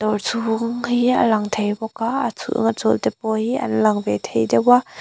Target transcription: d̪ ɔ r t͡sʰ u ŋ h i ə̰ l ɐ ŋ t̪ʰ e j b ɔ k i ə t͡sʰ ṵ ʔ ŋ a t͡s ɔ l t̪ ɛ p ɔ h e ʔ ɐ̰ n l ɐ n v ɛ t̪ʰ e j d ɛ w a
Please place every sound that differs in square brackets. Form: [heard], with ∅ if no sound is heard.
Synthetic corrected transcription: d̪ ɔ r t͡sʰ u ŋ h i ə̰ l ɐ ŋ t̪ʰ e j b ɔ k [a] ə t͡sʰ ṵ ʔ ŋ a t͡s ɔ l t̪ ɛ p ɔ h [i] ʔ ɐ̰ n l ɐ [ŋ] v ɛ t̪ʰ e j d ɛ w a